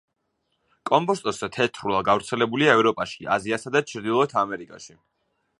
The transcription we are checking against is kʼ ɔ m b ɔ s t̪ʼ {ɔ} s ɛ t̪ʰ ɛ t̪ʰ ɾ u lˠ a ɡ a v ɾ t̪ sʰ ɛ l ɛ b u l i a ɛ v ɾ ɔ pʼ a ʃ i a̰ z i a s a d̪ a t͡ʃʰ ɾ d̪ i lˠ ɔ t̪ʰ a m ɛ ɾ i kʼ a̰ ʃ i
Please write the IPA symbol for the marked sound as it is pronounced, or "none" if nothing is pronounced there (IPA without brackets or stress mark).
ɔ